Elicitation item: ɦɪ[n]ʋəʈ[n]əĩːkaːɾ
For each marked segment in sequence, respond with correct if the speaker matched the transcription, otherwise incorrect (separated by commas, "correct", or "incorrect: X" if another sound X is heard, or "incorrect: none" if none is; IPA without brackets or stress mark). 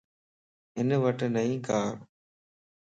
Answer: correct, correct